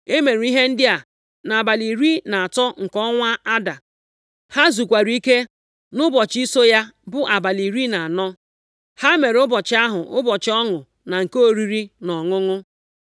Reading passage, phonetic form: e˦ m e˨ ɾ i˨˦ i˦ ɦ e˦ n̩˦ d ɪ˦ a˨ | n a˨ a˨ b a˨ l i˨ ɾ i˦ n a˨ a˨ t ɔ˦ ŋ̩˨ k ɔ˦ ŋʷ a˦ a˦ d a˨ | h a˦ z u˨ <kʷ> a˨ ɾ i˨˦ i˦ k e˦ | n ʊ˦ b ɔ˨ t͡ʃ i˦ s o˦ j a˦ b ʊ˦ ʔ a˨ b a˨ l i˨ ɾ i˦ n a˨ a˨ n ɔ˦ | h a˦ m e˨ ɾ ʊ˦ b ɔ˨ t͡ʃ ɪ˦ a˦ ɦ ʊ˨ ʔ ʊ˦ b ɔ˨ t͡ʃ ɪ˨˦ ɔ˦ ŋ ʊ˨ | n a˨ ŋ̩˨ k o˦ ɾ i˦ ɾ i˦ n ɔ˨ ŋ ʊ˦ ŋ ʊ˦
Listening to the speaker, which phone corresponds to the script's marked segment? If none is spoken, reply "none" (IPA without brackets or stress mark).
kʷ